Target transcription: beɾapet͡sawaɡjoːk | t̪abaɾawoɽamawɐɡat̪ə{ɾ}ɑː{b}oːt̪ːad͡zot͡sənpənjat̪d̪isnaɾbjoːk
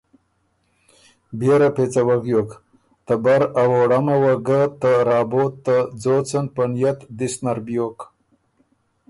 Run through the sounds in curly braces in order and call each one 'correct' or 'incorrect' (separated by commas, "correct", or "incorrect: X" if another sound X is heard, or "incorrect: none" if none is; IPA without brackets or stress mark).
correct, correct